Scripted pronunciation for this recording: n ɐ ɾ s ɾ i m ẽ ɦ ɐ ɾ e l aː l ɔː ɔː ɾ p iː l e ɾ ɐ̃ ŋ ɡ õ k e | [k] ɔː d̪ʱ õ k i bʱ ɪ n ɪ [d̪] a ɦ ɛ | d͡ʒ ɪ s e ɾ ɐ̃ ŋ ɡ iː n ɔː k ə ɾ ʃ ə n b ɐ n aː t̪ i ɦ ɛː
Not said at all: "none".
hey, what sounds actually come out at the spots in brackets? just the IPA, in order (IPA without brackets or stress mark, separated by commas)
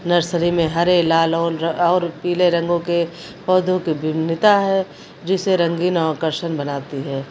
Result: p, t̪